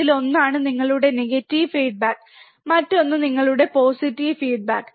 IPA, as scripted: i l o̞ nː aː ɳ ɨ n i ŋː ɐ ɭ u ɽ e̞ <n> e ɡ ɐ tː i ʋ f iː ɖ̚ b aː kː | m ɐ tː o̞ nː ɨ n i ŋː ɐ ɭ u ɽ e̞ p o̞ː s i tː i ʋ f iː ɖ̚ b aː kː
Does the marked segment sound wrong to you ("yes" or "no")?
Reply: no